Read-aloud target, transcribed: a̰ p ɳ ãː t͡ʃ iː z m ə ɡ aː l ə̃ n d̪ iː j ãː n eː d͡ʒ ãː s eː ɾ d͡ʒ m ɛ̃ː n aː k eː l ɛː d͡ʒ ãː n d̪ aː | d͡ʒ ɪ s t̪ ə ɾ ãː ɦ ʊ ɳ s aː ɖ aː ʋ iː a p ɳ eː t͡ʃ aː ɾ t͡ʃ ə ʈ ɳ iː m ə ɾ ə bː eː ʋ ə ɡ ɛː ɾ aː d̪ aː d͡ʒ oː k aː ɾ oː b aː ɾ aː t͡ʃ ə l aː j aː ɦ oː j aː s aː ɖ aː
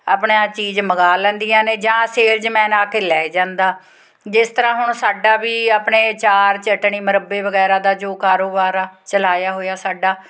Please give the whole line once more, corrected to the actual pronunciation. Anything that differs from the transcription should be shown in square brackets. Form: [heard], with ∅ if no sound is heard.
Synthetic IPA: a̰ p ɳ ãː t͡ʃ iː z m ə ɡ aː l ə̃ n d̪ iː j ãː n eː d͡ʒ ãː s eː ɾ d͡ʒ m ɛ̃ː n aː k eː l ɛː d͡ʒ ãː n d̪ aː | d͡ʒ ɪ s t̪ ə ɾ ãː ɦ ʊ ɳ s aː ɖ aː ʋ iː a p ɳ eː t͡ʃ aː ɾ t͡ʃ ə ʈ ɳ iː m ə ɾ ə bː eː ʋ ə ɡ ɛː ɾ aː d̪ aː d͡ʒ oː k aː ɾ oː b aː ɾ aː t͡ʃ ə l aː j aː ɦ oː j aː s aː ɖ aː